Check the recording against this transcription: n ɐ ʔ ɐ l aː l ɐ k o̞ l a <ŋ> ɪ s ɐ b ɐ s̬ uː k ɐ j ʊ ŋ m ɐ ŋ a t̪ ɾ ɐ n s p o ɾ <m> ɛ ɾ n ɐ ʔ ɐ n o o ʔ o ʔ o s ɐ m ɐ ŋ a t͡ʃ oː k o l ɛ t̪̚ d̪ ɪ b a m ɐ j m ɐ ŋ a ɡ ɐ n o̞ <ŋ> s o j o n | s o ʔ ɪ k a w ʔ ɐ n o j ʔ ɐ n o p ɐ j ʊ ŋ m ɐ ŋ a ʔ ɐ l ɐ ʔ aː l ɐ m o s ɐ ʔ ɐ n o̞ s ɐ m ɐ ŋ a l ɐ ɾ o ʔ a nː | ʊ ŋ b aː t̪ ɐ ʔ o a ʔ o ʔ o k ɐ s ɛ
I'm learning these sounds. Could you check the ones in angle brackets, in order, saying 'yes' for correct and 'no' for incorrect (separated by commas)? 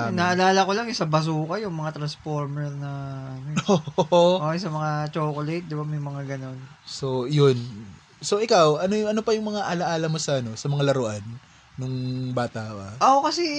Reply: yes, yes, no